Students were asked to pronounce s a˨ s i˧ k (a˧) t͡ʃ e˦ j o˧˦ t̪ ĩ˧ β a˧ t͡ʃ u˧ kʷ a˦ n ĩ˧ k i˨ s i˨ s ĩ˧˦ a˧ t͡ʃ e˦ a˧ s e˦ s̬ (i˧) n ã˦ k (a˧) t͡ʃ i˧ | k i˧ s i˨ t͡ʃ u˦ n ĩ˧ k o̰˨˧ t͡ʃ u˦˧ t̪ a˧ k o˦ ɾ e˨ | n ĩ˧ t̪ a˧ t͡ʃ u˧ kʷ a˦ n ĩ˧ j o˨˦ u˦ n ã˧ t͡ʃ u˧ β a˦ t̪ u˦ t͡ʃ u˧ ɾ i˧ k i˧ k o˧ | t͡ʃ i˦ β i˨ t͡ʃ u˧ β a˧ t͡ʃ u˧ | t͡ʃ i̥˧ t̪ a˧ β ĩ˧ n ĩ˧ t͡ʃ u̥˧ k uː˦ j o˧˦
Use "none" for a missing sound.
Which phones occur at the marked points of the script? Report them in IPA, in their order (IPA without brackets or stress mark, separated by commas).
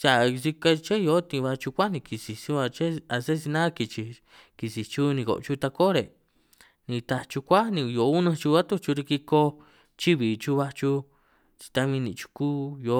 a˧, i˧, i˧